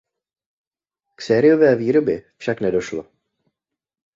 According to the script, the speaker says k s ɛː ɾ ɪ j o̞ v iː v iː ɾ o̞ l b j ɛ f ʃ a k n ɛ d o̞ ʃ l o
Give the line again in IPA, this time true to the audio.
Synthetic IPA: k s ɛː ɾ ɪ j o̞ v ɛː v iː ɾ o̞ b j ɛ f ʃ a k n ɛ d o̞ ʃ l o